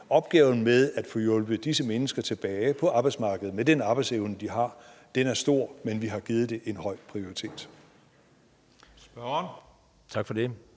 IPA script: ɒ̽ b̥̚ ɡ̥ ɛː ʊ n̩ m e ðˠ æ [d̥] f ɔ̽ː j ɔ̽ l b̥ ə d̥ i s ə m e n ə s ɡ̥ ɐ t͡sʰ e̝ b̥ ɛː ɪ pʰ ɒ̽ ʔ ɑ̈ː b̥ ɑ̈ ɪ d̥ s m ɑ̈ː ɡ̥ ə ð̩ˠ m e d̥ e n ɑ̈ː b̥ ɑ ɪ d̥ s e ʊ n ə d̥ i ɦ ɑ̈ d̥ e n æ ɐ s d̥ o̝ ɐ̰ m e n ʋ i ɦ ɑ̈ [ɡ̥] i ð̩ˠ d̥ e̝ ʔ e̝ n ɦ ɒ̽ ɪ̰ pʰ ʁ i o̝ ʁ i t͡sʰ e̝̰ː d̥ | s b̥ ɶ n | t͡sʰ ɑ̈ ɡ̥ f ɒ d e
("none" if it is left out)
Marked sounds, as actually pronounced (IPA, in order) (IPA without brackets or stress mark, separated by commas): d̥, ɡ̥